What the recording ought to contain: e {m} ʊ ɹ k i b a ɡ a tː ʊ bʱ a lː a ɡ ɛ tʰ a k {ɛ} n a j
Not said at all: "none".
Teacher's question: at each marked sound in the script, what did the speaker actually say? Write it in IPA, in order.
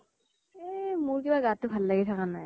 m, a

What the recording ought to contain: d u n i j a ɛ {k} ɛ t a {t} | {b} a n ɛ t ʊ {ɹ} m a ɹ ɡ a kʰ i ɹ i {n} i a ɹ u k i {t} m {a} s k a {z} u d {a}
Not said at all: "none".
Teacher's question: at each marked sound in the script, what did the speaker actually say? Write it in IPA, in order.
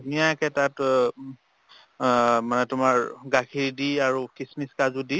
k, t, m, none, d, s, i, z, i

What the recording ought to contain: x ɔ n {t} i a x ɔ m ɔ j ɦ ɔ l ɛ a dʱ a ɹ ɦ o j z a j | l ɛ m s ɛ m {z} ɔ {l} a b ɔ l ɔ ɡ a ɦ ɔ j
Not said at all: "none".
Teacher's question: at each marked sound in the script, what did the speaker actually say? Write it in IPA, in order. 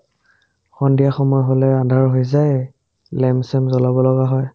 d, z, l

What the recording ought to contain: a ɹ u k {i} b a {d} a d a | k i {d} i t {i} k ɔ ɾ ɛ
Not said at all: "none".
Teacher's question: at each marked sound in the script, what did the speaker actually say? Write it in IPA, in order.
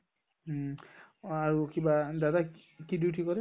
i, d, d, i

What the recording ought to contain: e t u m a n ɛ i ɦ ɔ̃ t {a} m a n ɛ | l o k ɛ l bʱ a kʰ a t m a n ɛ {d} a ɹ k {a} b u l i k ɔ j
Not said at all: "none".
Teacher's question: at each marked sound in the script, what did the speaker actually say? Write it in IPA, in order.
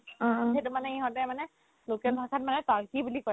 ɛ, t, i

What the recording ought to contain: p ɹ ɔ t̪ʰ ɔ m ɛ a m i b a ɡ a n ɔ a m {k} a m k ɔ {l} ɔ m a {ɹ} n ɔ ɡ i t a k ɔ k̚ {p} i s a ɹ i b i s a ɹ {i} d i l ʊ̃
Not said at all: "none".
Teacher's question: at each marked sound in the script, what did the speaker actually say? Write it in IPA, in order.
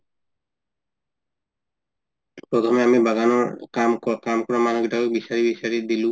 k, ɹ, none, b, i

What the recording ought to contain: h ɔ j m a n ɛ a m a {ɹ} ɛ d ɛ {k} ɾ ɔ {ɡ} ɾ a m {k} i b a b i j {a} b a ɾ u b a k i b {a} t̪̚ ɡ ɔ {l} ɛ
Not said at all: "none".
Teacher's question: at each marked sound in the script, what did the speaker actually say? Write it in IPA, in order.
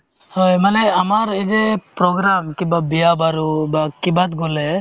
ɾ, p, ɡ, k, a, a, l

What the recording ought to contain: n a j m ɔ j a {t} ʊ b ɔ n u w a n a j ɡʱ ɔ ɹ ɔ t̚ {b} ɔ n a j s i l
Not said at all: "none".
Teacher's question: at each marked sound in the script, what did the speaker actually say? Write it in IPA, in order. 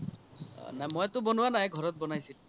t, b

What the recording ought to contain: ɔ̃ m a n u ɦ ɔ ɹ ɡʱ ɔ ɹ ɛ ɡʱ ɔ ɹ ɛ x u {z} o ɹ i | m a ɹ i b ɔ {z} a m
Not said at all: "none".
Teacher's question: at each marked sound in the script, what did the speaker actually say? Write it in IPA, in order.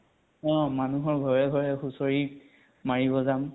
s, z

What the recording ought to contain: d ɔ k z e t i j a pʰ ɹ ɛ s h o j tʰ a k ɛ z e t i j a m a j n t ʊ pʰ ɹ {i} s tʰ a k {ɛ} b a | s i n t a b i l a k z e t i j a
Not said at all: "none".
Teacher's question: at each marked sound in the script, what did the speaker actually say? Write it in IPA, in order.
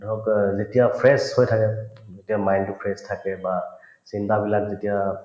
ɛ, ɛ

